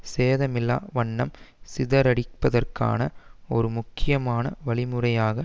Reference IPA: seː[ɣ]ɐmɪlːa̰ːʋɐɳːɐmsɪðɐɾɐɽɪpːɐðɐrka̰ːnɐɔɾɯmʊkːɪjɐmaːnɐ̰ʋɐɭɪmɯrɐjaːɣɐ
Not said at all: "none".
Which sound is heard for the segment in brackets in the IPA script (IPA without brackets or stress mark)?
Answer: ð